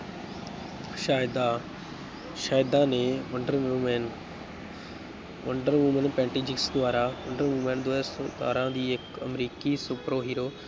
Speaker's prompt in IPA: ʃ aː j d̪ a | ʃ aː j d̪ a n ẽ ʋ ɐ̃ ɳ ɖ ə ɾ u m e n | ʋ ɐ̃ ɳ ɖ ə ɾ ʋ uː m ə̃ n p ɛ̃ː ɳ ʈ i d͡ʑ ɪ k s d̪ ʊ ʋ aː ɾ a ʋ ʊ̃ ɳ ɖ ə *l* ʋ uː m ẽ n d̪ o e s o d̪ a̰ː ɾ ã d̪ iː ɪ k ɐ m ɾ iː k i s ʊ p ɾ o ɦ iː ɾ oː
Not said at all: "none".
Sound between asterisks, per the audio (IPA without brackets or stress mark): ɾ